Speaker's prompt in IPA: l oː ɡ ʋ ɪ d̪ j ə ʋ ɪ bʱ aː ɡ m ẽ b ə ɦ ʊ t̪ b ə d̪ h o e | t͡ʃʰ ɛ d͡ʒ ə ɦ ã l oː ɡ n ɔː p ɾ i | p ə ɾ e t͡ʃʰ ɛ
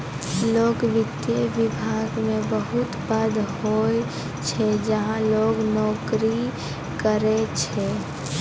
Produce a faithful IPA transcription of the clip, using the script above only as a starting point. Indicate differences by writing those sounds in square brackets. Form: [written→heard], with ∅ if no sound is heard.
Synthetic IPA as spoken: l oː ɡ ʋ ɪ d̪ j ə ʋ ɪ bʱ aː ɡ m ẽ b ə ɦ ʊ t̪ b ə d̪ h o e | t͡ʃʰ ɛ d͡ʒ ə ɦ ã l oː ɡ n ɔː [p→k] ɾ i | [p→k] ə ɾ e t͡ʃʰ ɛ

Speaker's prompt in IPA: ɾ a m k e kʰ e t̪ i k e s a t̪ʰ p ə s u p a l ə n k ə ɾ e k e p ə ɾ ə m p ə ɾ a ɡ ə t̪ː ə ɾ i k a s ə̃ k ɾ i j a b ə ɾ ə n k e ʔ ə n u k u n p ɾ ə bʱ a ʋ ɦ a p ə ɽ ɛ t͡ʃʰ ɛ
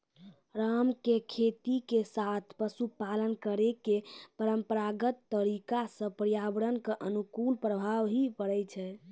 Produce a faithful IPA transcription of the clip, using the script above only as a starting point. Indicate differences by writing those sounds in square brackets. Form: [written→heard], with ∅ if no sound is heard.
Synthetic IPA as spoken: ɾ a m k e kʰ e t̪ i k e s a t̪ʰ p ə s u p a l ə n k ə ɾ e k e p ə ɾ ə m p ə ɾ a ɡ ə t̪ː ə ɾ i k a s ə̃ [k→p] ɾ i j a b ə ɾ ə n k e ʔ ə n u k u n p ɾ ə bʱ a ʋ ɦ [a→i] p ə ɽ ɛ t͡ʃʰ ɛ

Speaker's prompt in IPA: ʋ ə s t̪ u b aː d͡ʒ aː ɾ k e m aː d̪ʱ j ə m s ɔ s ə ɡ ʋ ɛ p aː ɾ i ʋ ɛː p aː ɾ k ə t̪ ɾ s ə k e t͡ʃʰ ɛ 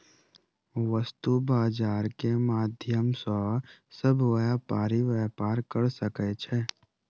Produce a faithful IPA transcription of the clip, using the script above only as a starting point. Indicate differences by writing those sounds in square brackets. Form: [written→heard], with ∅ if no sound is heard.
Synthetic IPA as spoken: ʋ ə s t̪ u b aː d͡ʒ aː ɾ k e m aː d̪ʱ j ə m s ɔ s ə [ɡ→b] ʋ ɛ p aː ɾ i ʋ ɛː p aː ɾ k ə [t̪→∅] ɾ s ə k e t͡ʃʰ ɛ

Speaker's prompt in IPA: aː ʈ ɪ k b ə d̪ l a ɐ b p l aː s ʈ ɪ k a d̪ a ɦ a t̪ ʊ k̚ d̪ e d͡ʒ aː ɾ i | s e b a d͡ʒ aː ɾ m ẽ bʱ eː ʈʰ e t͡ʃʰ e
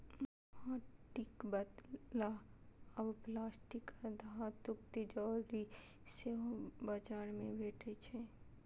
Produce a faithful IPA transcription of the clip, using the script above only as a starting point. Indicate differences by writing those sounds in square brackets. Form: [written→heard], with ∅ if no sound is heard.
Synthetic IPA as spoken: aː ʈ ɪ k b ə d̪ l a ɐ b p l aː s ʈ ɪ k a d̪ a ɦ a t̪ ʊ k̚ [d̪→t̪] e d͡ʒ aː ɾ i | s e b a d͡ʒ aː ɾ m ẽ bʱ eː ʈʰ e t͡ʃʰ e

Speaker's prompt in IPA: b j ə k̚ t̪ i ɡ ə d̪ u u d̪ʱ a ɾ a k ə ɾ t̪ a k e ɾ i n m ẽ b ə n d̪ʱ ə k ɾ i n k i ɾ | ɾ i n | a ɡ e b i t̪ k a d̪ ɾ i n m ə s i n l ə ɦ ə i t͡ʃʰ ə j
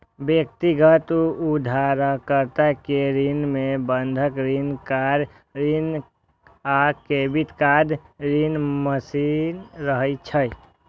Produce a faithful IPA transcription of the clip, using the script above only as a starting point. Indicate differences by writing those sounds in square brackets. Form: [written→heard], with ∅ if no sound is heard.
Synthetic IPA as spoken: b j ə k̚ t̪ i ɡ ə [d̪→t̪] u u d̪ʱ a ɾ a k ə ɾ t̪ a k e ɾ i n m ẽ b ə n d̪ʱ ə k ɾ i n k [i→a] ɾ | ɾ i n | a [ɡ→k] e b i t̪ k a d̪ ɾ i n m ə s i n [l→ɾ] ə ɦ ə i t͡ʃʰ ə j

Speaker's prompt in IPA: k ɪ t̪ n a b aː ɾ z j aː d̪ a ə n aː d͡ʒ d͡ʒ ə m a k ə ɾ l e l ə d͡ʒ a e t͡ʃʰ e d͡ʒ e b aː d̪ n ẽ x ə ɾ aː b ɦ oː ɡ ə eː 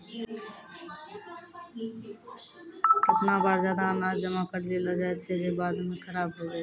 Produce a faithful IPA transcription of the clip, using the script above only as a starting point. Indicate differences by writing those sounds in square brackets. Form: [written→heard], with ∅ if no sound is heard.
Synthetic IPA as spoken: k ɪ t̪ n a b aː ɾ z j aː d̪ a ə n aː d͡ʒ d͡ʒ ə m a k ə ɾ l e l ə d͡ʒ a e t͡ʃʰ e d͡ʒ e b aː d̪ [n→m] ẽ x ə ɾ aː b ɦ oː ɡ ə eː

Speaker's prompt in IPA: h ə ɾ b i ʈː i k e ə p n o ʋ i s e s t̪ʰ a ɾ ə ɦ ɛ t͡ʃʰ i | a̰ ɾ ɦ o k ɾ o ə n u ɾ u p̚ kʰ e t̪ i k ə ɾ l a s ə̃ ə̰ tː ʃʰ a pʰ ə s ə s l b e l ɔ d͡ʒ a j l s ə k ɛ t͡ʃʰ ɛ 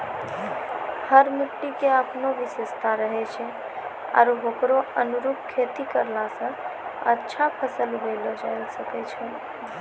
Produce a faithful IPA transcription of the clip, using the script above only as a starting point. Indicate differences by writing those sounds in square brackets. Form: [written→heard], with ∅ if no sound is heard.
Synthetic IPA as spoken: h ə ɾ [b→m] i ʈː i k e ə p n o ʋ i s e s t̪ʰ a ɾ ə ɦ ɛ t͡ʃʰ [i→ɛ] | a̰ ɾ ɦ o k ɾ o ə n u ɾ u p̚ kʰ e t̪ i k ə ɾ l a s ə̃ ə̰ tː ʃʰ a pʰ ə s ə [s→∅] l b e l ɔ d͡ʒ a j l s ə k ɛ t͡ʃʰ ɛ

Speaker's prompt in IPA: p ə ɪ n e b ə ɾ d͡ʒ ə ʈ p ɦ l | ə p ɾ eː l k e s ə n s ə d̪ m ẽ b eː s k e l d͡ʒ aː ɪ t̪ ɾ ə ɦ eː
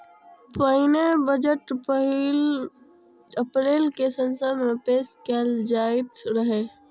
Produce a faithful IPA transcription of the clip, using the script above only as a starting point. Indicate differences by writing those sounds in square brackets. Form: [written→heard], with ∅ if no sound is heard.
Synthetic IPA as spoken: p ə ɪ n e b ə [ɾ→∅] d͡ʒ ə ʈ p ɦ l | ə p ɾ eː l k e s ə n s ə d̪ m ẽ [b→p] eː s k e l d͡ʒ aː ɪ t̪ ɾ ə ɦ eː

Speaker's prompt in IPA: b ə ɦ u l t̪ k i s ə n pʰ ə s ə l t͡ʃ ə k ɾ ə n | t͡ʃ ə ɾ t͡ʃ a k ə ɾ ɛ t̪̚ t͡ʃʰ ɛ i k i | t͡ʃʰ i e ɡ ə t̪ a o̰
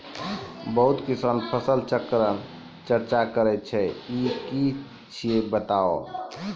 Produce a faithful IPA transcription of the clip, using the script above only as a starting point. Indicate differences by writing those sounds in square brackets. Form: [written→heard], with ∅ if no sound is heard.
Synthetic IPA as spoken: b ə ɦ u [l→∅] t̪ k i s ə n pʰ ə s ə l t͡ʃ ə k ɾ ə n | t͡ʃ ə ɾ t͡ʃ a k ə ɾ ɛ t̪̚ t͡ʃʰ ɛ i k i | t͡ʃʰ i e [ɡ→b] ə t̪ a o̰

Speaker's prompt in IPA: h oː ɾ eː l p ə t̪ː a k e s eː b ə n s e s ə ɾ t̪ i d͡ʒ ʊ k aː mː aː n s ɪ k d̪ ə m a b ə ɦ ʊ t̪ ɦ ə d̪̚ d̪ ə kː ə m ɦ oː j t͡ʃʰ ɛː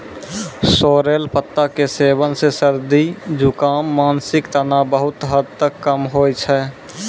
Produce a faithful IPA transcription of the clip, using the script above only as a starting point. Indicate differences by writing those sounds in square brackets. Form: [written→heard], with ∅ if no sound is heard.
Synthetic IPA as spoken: [h→s] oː ɾ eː l p ə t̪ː a k e s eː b ə n s e s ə ɾ [t̪→d̪] i d͡ʒ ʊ k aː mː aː n s ɪ k [d̪→t̪] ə [m→n] a b ə ɦ ʊ t̪ ɦ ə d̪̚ [d̪→t̪] ə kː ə m ɦ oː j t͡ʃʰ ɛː

